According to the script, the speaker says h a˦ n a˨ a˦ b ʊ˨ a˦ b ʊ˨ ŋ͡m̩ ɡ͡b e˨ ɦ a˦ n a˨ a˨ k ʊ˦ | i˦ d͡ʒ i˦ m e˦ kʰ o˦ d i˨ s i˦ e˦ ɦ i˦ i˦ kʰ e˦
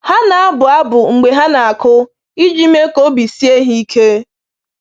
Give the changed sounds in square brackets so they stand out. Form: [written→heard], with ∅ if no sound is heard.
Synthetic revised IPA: h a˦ n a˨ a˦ b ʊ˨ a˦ b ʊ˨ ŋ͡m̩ ɡ͡b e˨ ɦ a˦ n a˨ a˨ k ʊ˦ | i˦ d͡ʒ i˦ m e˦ [kʰ→k] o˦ [d→b] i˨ s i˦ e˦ ɦ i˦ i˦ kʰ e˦